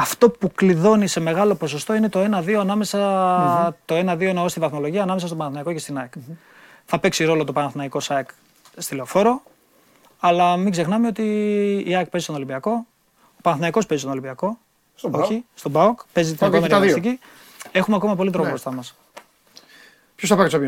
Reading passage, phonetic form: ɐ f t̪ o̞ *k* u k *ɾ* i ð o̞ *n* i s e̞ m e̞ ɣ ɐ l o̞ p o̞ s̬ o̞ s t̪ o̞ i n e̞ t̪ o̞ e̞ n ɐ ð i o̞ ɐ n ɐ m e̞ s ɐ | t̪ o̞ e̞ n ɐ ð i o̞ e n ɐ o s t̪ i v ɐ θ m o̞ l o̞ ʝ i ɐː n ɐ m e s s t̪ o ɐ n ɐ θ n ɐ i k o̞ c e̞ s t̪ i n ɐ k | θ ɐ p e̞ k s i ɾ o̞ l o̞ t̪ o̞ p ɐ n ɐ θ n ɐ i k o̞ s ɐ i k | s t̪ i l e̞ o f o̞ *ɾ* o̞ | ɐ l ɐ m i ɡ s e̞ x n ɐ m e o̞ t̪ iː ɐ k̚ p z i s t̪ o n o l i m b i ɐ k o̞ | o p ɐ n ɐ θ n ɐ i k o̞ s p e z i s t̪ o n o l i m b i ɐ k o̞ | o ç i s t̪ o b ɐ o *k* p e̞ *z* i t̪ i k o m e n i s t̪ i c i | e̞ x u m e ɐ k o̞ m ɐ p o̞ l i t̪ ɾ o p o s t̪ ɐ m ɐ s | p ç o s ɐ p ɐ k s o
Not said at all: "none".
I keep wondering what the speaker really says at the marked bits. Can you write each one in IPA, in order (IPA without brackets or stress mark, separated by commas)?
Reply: p, l, n, ɾ, k, z